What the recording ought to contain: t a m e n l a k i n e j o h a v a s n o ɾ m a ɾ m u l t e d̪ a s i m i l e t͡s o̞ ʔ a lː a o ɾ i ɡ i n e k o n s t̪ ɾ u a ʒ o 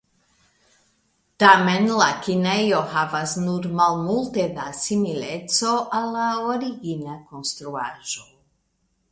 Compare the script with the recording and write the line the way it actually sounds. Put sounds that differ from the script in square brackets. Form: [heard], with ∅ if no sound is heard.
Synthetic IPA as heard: t a m e n l a k i n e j o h a v a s n [u] ɾ m a [l] m u l t e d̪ a s i m i l e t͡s o̞ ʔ a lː a o ɾ i ɡ i n [a] k o n s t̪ ɾ u a ʒ o